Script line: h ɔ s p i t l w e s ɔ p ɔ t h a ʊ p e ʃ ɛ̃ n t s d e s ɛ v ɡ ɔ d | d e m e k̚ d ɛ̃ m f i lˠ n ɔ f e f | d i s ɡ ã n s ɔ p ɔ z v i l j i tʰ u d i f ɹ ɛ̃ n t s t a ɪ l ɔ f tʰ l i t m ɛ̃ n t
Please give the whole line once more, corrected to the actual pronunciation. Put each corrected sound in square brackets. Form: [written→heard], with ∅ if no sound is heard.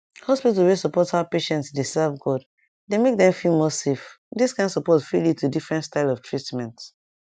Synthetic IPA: h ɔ s p i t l w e s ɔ p ɔ t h a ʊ p e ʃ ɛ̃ n t s d e s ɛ v ɡ ɔ d | d e m e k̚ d ɛ̃ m f i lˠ [n→m] ɔ [f→s] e f | d i s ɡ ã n s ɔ p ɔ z [v→f] i l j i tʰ u d i f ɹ ɛ̃ n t s t a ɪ l ɔ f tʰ [l→ɹ] i t m ɛ̃ n t

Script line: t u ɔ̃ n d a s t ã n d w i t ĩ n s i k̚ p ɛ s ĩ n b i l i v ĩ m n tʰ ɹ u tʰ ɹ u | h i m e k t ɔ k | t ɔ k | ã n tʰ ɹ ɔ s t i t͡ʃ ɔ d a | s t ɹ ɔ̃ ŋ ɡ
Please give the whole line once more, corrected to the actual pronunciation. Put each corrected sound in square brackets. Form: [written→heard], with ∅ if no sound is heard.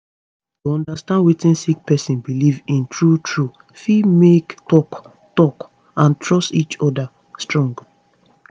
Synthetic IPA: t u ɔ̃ n d a s t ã n d w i t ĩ n s i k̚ p ɛ s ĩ n b i l i v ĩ [m→∅] n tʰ ɹ u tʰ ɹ u | [h→f] i m e k t ɔ k | t ɔ k | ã n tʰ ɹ ɔ s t i t͡ʃ ɔ d a | s t ɹ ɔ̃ ŋ ɡ

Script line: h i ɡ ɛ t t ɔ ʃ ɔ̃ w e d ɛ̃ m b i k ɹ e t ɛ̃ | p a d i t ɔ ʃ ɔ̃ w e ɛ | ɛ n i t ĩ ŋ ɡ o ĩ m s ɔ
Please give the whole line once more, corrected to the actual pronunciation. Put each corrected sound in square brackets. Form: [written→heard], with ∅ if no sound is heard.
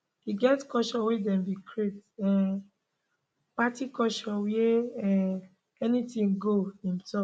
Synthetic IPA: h i ɡ ɛ t [t→k] ɔ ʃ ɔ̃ w e d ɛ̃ m b i k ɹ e t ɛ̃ | p a [d→t] i [t→k] ɔ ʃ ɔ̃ w e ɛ | ɛ n i t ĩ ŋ ɡ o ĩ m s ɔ

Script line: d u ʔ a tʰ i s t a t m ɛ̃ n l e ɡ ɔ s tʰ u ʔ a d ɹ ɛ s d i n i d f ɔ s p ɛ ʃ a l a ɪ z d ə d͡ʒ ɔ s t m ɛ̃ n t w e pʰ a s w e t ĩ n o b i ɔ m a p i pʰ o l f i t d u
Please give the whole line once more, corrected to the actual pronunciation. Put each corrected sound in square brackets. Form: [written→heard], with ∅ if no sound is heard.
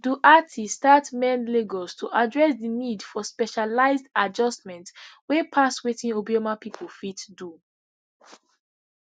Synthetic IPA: d u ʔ a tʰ i s t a t m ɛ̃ n l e ɡ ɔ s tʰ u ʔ a d ɹ ɛ s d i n i d f ɔ s p ɛ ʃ a l a ɪ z d [ə→a] d͡ʒ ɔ s t m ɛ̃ n t w e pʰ a s w e t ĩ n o b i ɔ m a p i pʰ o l f i t d u

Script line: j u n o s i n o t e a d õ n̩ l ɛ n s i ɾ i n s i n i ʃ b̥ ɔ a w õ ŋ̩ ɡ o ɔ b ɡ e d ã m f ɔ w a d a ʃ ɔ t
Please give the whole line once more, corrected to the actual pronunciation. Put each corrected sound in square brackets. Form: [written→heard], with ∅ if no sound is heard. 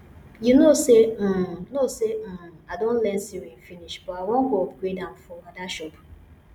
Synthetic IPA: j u n o s [i→e] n o [t→s] e a d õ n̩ l ɛ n s i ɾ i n [s→f] i n i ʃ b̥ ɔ a w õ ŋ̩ ɡ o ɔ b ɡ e d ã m f ɔ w a d a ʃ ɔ [t→p]

